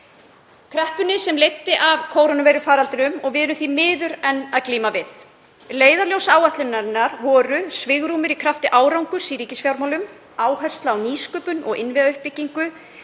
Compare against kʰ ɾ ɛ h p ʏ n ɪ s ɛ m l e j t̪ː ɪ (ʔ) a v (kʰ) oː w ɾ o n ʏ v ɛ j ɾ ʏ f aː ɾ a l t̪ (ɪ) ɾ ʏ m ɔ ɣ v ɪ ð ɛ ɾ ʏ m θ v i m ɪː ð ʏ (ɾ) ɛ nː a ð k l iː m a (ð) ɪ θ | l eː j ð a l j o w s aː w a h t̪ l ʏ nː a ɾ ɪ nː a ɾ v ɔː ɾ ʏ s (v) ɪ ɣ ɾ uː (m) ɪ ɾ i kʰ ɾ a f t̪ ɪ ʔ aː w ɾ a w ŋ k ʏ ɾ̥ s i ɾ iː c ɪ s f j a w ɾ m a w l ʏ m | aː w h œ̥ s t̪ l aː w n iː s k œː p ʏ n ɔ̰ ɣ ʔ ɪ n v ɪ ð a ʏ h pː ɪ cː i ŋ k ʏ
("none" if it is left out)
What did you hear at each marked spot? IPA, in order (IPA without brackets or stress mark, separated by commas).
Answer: ʔ, kʰ, ɪ, ɾ, v, v, m